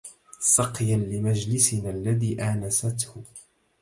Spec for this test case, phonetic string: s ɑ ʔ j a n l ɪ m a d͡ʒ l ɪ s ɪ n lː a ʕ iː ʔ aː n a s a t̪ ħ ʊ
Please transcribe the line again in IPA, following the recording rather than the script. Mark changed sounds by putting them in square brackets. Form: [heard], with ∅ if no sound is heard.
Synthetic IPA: s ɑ [q] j a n l ɪ m a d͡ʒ l ɪ s ɪ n lː a [ð] iː ʔ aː n a s a t̪ [h] ʊ